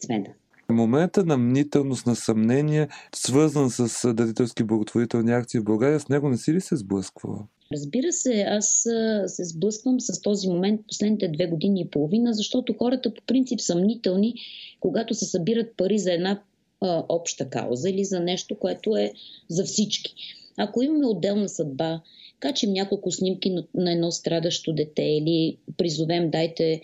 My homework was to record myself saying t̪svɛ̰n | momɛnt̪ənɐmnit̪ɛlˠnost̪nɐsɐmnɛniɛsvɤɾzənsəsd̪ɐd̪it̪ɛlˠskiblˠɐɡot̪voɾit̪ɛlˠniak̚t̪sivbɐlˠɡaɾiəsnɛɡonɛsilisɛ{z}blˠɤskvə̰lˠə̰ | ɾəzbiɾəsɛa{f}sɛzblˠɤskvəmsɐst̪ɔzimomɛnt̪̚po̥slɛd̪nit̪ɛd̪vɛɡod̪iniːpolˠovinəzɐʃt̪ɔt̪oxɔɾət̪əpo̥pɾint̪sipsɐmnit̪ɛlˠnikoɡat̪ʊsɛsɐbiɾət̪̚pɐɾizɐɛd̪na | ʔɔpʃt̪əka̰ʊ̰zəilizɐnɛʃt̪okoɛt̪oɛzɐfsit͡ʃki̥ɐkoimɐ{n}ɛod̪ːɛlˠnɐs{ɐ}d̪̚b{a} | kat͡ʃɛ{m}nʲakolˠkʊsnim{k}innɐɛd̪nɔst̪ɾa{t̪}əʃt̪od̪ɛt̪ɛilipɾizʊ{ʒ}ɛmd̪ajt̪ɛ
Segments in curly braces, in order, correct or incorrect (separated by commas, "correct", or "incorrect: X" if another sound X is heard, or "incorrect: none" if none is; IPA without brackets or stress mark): correct, incorrect: s, incorrect: m, correct, correct, correct, correct, incorrect: d̪, incorrect: v